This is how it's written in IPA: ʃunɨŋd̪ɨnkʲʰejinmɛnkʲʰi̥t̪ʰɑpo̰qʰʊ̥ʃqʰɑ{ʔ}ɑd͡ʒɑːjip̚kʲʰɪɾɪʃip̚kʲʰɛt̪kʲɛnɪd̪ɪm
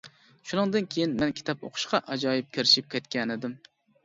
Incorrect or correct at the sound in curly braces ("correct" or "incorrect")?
correct